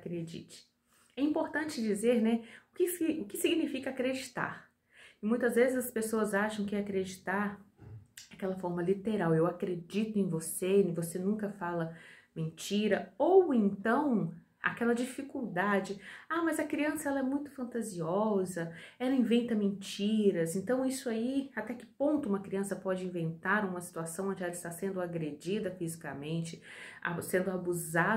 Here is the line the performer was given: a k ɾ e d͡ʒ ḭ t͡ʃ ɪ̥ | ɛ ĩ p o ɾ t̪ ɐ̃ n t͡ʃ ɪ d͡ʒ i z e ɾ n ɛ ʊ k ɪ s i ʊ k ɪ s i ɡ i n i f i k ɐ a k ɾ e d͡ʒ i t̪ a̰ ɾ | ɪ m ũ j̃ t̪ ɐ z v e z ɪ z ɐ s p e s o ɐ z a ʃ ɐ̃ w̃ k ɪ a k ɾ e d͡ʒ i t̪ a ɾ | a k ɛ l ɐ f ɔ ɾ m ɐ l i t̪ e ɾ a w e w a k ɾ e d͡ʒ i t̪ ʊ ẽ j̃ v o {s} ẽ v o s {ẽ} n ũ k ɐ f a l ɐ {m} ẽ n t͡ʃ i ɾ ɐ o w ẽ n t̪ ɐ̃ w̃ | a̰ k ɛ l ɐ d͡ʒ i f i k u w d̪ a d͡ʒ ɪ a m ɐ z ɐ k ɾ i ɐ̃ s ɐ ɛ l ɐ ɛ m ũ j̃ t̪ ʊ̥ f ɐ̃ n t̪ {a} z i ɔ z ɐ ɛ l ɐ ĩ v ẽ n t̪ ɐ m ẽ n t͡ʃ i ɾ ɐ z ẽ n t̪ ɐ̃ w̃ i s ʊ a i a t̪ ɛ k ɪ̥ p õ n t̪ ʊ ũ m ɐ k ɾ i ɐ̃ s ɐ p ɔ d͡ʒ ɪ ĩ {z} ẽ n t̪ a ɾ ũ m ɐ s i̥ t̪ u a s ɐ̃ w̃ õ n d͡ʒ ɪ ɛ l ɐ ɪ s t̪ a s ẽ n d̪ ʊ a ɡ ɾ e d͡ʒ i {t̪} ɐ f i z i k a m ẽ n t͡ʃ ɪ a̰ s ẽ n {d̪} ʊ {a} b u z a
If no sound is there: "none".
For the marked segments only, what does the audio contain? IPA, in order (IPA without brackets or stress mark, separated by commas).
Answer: s, e, m, a, v, d̪, d̪, a